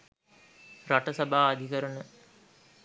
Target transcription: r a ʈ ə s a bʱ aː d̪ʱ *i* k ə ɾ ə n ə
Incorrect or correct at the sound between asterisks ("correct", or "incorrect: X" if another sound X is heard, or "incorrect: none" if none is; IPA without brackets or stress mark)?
correct